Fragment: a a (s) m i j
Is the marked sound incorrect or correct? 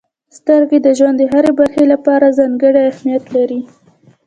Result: incorrect